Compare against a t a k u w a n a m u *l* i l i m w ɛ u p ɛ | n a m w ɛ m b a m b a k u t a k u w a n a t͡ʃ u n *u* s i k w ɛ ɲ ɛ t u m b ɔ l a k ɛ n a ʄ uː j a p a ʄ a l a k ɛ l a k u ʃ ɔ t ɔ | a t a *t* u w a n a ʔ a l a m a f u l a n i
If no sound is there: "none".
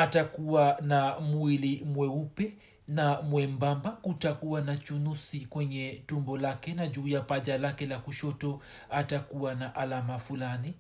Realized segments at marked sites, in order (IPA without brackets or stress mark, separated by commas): none, u, k